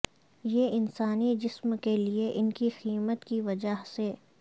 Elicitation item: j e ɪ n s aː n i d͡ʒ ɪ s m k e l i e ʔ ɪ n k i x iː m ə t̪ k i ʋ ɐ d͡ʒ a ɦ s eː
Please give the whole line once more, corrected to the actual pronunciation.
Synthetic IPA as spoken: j e ɪ n s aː n i d͡ʒ ɪ s m k e l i e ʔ ɪ n k i x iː m ə t̪ k i ʋ ɐ d͡ʒ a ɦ s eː